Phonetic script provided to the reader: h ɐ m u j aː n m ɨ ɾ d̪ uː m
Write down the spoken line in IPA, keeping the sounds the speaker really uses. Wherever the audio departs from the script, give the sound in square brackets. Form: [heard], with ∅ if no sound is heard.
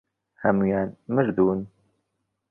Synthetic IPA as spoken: h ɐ m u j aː n m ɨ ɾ d̪ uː [n]